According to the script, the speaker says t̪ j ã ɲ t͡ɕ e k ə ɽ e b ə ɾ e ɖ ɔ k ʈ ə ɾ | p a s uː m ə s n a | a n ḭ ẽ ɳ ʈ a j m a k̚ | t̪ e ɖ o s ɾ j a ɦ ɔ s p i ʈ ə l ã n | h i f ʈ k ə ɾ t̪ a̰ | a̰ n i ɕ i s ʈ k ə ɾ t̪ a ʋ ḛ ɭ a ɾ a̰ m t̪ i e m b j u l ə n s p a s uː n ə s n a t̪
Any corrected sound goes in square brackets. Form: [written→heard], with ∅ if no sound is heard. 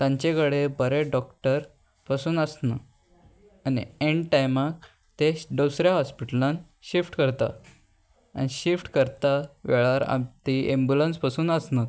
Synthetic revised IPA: t̪ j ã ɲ t͡ɕ e k ə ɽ e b ə ɾ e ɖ ɔ k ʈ ə ɾ | p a s uː [m→n] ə s n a | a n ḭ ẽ ɳ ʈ a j m a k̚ | t̪ e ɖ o s ɾ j a ɦ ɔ s p i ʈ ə l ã n | [h→ɕ] i f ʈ k ə ɾ t̪ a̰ | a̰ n i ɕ i [s→f] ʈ k ə ɾ t̪ a ʋ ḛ ɭ a ɾ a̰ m t̪ i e m b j u l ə n s p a s uː n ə s n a t̪